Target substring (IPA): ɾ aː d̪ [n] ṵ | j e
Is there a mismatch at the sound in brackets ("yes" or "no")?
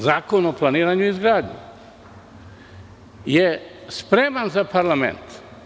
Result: yes